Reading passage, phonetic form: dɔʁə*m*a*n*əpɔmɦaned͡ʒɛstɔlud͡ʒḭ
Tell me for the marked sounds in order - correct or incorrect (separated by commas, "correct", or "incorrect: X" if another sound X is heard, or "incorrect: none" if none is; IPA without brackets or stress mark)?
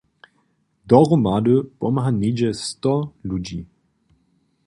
correct, incorrect: d